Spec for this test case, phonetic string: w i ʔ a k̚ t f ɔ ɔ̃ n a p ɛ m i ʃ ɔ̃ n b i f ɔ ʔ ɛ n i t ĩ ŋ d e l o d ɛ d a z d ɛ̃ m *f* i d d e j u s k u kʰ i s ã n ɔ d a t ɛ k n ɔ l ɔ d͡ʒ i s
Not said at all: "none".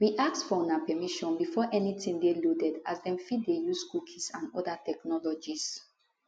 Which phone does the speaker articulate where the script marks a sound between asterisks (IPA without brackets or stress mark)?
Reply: f